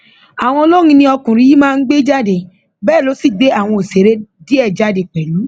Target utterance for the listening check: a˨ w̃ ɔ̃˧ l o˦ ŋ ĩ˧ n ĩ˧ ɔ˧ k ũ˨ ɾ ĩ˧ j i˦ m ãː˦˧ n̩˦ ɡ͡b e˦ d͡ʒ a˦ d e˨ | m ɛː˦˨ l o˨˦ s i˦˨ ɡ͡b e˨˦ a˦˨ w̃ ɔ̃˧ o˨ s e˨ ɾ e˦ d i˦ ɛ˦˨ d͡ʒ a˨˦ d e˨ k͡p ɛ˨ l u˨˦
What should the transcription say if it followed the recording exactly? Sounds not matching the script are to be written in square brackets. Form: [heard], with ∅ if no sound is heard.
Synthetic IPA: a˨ w̃ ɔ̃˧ l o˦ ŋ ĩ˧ n ĩ˧ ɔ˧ k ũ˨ ɾ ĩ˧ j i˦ m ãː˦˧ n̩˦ ɡ͡b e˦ d͡ʒ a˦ d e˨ | [b] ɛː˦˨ l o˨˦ s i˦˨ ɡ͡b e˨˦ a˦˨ w̃ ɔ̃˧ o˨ s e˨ ɾ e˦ d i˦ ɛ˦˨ d͡ʒ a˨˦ d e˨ k͡p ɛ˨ l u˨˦